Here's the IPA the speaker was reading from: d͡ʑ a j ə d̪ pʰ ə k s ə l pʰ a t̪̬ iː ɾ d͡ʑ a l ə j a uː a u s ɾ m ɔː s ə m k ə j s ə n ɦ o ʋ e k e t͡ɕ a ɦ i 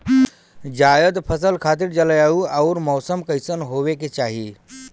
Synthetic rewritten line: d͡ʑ a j ə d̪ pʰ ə s ə l kʰ a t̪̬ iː ɾ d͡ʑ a l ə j a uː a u ɾ m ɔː s ə m k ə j s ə n ɦ o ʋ e k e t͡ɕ a ɦ i